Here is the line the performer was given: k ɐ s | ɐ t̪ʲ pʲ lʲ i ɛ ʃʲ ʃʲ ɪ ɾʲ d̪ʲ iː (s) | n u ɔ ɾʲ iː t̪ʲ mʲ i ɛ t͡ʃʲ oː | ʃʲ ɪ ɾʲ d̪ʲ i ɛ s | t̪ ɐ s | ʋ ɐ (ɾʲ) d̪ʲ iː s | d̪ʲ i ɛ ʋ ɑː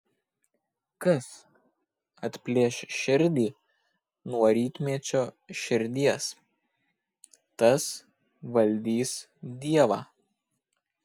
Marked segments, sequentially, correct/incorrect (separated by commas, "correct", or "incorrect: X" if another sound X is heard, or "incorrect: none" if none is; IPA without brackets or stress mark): incorrect: none, incorrect: lʲ